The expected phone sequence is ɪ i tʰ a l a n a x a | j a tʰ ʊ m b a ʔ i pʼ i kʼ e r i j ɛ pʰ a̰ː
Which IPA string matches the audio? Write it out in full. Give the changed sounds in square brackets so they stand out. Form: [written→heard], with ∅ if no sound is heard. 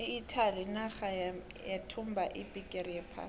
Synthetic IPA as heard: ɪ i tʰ a l [a→i] n a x a | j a tʰ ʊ m b a ʔ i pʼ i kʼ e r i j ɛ pʰ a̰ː